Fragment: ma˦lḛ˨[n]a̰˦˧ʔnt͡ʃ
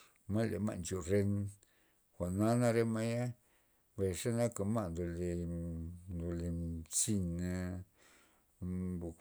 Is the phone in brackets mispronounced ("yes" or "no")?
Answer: yes